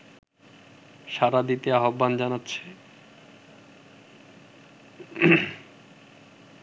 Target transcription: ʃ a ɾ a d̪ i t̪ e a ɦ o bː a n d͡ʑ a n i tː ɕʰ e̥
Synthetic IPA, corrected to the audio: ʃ a ɾ a d̪ i t̪ e a ɦ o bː a n d͡ʑ a n a tː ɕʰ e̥